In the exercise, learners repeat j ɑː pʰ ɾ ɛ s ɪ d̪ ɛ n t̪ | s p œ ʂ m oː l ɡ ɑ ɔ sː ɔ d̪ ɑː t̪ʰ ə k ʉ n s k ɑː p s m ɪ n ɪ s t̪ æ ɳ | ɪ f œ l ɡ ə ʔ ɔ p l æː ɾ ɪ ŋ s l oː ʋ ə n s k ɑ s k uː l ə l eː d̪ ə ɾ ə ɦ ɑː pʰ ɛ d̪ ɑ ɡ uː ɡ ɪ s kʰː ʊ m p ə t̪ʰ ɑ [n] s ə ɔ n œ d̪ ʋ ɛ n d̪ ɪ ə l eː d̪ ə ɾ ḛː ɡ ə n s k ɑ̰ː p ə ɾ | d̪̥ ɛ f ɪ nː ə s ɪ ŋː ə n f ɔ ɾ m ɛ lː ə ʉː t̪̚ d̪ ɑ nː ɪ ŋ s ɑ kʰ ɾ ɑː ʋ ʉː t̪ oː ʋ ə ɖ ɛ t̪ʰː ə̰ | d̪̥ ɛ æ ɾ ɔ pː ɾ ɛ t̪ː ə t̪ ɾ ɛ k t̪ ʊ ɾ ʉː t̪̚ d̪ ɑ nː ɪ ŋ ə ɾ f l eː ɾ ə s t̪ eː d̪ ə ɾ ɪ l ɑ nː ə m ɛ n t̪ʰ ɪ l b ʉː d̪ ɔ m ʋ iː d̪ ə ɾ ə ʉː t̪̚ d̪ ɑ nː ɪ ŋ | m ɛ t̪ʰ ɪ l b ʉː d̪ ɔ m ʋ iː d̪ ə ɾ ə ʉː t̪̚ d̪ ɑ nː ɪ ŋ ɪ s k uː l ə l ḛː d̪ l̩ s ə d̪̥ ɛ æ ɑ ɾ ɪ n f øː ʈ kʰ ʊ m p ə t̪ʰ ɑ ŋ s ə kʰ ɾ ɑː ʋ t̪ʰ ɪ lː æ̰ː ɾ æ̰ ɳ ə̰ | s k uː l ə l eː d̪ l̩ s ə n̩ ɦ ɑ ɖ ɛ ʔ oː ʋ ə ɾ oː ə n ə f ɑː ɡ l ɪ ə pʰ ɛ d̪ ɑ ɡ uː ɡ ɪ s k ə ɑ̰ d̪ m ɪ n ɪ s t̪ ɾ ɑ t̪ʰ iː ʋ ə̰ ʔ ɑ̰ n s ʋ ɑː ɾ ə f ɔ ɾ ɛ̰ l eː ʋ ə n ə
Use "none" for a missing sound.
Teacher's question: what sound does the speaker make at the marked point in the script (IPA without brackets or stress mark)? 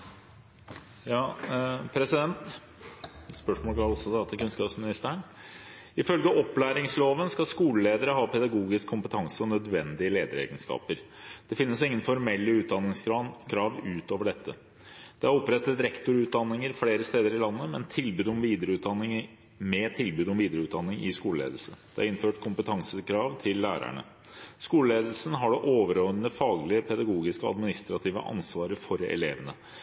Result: ŋ